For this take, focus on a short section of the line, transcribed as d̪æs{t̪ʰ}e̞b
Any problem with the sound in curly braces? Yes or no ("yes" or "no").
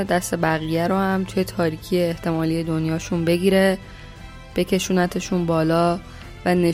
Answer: yes